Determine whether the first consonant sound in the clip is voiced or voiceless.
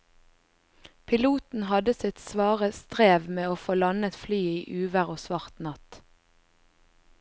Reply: voiceless